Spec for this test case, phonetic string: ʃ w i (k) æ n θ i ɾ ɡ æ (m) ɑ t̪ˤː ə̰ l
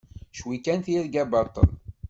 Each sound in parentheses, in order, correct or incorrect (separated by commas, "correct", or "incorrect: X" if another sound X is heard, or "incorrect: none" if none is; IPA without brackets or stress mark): correct, incorrect: b